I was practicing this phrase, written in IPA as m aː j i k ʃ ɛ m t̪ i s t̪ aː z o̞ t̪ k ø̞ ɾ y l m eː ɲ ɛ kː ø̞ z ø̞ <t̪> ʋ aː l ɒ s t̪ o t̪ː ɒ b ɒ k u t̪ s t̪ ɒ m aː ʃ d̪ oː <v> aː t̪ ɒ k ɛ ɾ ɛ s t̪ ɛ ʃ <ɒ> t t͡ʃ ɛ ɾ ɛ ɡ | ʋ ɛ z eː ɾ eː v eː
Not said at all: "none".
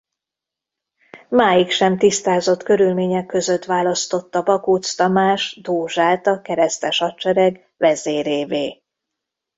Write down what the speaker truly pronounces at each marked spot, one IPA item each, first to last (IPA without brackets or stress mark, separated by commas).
t̪, ʒ, ɒ